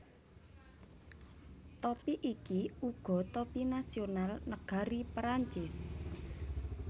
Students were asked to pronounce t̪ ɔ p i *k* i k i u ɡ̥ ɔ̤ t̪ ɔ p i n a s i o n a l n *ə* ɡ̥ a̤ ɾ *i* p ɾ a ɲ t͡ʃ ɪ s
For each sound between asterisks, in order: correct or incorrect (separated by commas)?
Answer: incorrect, correct, correct